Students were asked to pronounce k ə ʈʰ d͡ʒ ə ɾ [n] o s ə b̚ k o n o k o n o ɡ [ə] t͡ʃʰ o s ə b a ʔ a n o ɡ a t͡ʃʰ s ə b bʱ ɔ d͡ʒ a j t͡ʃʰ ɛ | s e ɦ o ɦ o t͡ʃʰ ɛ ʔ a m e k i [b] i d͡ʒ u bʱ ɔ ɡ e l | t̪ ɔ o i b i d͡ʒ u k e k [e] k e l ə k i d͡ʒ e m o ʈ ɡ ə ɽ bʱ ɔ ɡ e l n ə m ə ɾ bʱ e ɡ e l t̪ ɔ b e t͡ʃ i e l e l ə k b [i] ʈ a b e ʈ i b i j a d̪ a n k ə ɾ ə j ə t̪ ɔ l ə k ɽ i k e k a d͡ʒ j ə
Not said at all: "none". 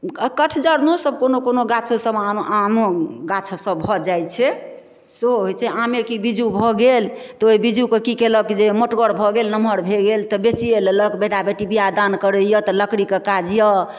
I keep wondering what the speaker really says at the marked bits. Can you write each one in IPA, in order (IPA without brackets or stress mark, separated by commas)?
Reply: n, a, b, i, e